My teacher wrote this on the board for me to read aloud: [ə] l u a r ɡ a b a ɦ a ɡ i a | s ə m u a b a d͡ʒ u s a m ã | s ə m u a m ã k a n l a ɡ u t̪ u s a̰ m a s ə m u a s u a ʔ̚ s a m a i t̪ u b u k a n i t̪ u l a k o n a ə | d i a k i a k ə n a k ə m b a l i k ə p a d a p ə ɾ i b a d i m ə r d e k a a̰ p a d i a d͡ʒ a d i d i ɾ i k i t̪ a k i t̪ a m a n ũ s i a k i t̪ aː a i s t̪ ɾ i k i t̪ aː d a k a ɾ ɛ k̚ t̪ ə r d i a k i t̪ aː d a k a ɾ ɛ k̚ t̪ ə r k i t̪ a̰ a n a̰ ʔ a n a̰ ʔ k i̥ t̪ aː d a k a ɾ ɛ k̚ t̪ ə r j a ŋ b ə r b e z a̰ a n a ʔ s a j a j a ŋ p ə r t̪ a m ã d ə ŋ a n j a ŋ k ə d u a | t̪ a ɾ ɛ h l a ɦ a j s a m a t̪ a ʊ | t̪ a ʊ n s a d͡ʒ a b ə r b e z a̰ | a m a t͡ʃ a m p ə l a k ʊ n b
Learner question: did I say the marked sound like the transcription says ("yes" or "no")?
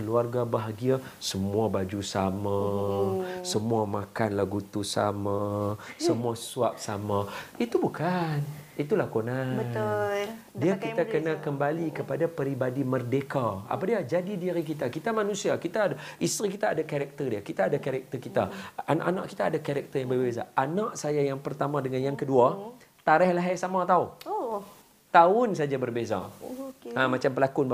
yes